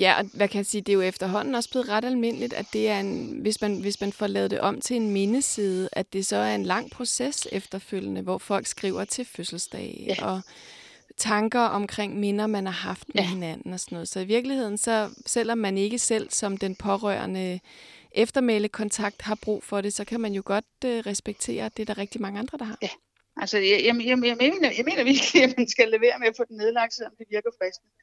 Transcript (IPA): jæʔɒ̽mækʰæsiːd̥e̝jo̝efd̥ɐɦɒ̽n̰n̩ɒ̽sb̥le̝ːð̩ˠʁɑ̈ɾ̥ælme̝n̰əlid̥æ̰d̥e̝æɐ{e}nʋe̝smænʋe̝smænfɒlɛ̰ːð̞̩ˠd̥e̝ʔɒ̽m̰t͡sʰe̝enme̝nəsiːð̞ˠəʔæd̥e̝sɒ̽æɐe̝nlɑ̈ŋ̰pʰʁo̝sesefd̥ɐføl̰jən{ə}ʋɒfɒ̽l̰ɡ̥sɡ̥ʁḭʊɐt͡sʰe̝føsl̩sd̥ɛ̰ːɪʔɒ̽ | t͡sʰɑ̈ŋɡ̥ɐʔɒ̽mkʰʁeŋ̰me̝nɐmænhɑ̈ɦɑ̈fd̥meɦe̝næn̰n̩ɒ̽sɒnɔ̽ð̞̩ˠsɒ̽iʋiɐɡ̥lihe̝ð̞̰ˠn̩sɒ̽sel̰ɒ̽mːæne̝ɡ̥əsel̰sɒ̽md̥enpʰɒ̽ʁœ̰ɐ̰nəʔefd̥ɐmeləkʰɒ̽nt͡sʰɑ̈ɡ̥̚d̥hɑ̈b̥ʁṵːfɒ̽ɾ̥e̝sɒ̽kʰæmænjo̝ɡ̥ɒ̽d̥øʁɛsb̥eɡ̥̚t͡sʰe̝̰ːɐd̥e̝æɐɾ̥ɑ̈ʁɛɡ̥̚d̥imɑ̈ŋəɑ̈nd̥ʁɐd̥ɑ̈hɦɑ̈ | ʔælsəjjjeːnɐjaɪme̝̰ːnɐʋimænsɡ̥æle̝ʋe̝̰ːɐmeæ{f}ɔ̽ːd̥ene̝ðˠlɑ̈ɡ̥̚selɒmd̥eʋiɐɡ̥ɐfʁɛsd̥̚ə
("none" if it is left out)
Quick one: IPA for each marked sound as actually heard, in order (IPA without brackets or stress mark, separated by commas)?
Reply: e, ə, f